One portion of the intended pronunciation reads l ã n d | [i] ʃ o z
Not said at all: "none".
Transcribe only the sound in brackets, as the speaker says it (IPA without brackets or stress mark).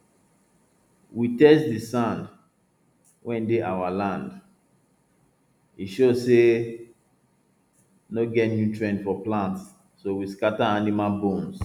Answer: i